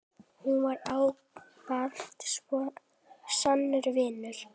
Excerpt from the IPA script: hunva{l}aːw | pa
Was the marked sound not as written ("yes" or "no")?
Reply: yes